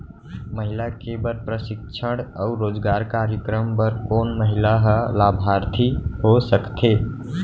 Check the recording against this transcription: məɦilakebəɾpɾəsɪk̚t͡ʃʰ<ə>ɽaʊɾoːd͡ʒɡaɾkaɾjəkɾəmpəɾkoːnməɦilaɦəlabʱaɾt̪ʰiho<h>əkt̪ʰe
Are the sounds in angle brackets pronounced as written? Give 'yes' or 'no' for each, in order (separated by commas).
yes, no